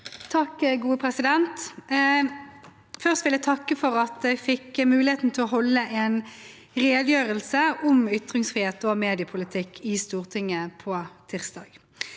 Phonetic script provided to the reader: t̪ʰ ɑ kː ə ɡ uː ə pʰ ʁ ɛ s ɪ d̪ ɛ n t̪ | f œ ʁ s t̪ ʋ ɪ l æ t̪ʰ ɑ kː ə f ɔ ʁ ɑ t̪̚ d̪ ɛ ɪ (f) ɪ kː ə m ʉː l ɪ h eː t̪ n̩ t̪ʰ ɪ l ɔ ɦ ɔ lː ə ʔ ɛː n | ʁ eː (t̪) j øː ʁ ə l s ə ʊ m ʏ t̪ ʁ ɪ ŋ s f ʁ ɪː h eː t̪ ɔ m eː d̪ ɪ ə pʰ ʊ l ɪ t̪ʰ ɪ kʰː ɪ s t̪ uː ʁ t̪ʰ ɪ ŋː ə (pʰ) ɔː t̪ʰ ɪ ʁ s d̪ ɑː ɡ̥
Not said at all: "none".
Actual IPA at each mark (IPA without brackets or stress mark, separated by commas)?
f, d̪, pʰ